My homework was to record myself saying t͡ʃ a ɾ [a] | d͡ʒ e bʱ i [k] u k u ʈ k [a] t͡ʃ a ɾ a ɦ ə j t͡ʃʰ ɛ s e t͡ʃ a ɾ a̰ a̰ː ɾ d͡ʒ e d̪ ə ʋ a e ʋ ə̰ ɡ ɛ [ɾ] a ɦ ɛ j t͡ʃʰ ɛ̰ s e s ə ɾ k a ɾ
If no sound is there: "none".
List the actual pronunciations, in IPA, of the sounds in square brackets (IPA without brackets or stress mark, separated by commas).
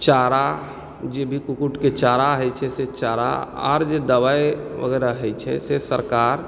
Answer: a, k, e, ɾ